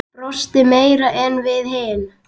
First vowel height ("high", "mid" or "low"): mid